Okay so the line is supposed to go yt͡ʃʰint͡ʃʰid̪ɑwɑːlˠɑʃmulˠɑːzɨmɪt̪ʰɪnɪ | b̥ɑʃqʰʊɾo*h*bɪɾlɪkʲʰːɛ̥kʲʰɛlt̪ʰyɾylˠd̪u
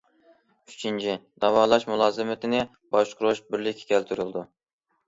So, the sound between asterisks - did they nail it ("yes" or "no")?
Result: no